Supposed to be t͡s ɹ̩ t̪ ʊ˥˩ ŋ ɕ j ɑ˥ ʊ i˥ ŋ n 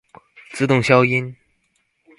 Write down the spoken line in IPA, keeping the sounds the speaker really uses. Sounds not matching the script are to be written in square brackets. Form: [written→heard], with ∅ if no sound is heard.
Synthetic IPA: t͡s ɹ̩ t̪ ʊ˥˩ ŋ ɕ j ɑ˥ ʊ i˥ [ŋ→∅] n

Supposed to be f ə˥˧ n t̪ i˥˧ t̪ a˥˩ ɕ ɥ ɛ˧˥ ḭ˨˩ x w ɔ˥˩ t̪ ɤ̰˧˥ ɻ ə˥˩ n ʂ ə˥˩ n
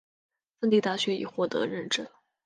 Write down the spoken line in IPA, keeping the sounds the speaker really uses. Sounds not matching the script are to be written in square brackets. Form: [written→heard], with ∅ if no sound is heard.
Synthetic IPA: f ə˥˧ n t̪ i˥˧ t̪ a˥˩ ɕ ɥ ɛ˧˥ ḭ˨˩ x w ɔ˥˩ t̪ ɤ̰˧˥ ɻ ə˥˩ n [ʂ→ʈ͡ʂ] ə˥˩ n

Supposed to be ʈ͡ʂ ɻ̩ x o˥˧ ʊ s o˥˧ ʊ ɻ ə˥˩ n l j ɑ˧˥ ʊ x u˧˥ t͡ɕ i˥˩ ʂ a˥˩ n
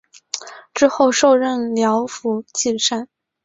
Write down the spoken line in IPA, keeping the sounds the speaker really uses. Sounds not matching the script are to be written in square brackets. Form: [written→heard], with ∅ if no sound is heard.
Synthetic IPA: ʈ͡ʂ ɻ̩ x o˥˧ ʊ [s→ʂ] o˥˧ ʊ ɻ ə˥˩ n l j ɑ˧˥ ʊ [x→f] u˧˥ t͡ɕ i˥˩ ʂ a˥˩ n

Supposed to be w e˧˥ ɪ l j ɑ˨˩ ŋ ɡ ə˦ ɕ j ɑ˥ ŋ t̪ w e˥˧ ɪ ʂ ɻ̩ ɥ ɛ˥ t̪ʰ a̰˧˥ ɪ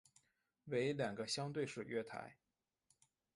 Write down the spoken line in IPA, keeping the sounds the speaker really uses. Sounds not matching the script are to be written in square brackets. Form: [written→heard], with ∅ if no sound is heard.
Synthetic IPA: w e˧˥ ɪ l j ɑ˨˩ ŋ ɡ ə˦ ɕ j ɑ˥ ŋ t̪ w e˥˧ ɪ ʂ ɻ̩ ɥ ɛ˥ t̪ʰ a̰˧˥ ɪ

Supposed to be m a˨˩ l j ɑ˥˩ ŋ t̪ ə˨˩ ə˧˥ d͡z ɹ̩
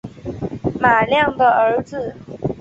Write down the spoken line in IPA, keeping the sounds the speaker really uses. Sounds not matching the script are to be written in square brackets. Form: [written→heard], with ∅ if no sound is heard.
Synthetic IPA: m a˨˩ l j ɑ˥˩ ŋ [t̪→d̪] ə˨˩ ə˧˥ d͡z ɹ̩

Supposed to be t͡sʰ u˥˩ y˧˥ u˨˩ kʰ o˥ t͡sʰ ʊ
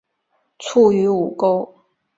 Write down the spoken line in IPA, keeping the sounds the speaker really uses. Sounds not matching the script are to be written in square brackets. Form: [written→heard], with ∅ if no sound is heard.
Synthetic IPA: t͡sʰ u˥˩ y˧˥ u˨˩ [kʰ→k] o˥ [t͡sʰ→∅] ʊ

